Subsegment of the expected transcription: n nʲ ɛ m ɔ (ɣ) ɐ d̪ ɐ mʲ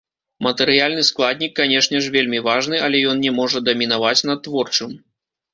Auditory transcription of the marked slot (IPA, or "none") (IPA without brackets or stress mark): ʐ